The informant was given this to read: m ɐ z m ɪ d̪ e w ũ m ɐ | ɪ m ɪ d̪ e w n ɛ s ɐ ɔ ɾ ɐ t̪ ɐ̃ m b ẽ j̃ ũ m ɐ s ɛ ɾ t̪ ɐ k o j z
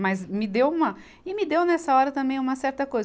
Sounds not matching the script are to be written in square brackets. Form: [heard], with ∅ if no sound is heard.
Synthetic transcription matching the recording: m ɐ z m ɪ d̪ e w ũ m ɐ | ɪ m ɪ d̪ e w n ɛ s ɐ ɔ ɾ ɐ t̪ ɐ̃ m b ẽ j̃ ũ m ɐ s ɛ ɾ t̪ ɐ k o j z